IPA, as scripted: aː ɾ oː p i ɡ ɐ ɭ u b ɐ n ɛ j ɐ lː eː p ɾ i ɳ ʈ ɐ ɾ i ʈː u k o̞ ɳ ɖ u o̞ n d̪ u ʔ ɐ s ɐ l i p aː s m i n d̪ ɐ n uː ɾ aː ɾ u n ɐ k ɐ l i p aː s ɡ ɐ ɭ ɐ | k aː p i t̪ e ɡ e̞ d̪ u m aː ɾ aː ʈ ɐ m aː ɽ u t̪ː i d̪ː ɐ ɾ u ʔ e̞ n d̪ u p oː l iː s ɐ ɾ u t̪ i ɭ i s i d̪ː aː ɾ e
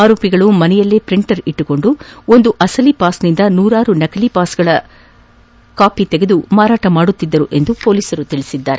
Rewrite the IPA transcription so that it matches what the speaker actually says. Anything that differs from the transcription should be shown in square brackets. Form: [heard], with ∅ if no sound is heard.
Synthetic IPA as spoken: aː ɾ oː p i ɡ ɐ ɭ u [m] ɐ n ɛ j ɐ lː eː p ɾ i ɳ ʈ ɐ ɾ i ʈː u k o̞ ɳ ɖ u o̞ n d̪ u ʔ ɐ s ɐ l i p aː s [n] i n d̪ ɐ n uː ɾ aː ɾ u n ɐ k ɐ l i p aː s ɡ ɐ ɭ ɐ | k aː p i t̪ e ɡ e̞ d̪ u m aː ɾ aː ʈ ɐ m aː ɽ u t̪ː i d̪ː ɐ ɾ u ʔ e̞ n d̪ u p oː l iː s ɐ ɾ u t̪ i ɭ i s i d̪ː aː ɾ e